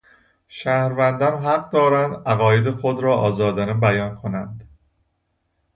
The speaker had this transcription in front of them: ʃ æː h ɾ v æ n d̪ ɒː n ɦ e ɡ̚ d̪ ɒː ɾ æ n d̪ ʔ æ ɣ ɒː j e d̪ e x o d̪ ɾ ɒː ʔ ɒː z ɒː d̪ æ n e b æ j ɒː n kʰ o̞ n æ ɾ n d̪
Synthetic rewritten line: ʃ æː h ɾ v æ n d̪ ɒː n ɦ æ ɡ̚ d̪ ɒː ɾ æ n d̪ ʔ æ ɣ ɒː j e d̪ e x o d̪ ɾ ɒː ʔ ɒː z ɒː d̪ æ n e b æ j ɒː n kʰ o̞ n æ n d̪